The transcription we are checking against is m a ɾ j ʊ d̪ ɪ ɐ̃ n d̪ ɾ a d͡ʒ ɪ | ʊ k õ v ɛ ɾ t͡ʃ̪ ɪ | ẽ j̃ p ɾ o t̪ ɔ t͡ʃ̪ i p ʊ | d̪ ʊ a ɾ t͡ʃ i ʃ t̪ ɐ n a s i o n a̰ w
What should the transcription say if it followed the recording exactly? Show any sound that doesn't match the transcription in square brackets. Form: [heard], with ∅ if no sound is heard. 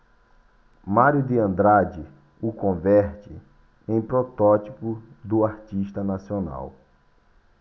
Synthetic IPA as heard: m a ɾ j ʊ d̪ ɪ ɐ̃ n d̪ ɾ a d͡ʒ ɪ | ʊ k õ v ɛ ɾ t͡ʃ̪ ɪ | ẽ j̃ p ɾ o t̪ ɔ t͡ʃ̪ i p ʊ | d̪ ʊ a ɾ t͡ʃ i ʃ t̪ ɐ n a s i o n a̰ w